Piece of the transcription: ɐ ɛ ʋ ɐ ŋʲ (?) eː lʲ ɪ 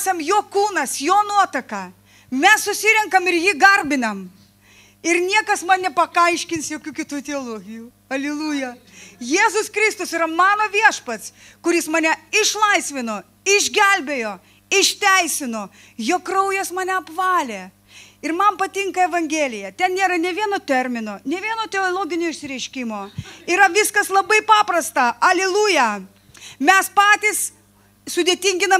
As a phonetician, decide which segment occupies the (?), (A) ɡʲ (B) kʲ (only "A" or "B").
A